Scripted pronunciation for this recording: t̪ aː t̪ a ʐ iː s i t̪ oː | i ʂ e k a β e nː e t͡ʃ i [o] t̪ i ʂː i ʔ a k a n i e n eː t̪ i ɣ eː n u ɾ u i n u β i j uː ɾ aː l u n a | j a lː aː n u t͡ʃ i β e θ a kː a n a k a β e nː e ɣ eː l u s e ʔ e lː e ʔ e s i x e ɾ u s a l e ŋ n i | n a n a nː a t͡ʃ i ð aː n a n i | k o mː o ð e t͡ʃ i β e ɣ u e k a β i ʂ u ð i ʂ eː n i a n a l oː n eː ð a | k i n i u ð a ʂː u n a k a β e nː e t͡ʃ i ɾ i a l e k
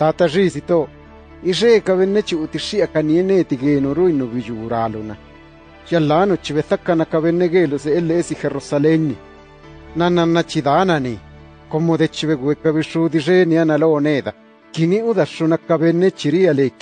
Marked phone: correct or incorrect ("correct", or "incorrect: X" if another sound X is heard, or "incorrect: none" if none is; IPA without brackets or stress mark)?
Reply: incorrect: u